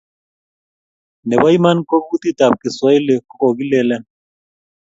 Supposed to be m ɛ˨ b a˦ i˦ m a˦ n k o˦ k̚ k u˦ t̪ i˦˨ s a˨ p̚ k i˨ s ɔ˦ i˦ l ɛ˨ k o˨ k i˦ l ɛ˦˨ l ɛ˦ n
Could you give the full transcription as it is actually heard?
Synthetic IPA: n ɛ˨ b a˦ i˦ m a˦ n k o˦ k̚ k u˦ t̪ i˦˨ t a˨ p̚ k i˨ s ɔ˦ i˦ l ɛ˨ k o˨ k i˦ l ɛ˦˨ l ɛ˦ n